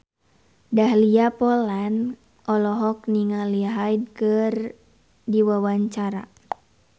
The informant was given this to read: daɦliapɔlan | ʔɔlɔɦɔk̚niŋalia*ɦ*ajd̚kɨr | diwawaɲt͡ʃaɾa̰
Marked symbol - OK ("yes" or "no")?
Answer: yes